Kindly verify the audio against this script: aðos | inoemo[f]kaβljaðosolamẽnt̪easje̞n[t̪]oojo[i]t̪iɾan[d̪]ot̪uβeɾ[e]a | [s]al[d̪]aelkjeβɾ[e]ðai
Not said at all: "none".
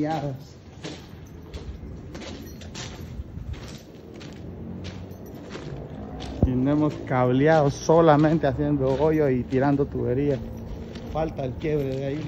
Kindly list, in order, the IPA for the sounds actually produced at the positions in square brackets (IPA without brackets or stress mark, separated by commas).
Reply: s, d̪, i, d̪, i, f, t̪, e